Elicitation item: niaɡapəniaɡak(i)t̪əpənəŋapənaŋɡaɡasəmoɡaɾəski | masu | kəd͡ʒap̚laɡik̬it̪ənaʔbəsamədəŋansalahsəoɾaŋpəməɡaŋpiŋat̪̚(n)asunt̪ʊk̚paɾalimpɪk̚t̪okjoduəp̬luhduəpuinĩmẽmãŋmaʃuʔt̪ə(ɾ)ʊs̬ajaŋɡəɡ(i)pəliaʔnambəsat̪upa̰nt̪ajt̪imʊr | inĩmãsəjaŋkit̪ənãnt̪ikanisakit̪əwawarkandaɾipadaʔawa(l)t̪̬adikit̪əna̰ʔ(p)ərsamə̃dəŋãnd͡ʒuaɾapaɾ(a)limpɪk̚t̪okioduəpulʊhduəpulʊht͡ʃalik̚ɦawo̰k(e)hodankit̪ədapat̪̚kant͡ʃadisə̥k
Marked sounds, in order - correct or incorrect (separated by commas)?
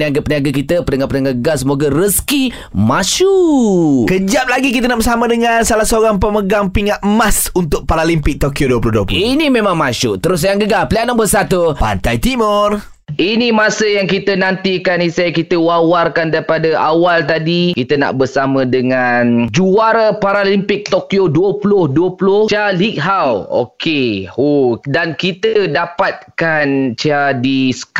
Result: correct, incorrect, correct, incorrect, correct, incorrect, correct, correct